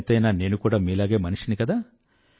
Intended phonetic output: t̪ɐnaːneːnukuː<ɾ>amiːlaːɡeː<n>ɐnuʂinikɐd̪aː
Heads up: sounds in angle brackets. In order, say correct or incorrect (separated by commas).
incorrect, incorrect